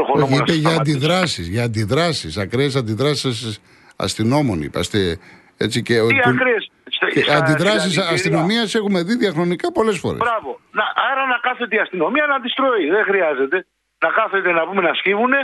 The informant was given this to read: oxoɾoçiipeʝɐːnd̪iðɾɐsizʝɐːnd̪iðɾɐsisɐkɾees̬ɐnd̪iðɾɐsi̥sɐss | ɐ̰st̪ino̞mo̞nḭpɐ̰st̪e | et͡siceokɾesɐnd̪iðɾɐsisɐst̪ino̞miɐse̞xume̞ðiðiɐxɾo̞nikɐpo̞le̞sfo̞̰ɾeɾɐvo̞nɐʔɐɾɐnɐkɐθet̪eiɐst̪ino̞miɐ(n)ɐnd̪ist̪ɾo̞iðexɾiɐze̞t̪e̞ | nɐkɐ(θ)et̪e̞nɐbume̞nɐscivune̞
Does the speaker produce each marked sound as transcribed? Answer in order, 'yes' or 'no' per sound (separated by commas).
yes, yes